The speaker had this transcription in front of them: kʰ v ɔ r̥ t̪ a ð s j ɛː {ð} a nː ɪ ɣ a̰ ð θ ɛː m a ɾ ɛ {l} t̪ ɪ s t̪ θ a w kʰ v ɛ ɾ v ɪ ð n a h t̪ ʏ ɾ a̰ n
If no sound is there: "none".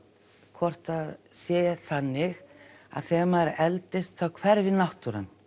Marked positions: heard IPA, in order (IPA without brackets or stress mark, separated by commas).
θ, l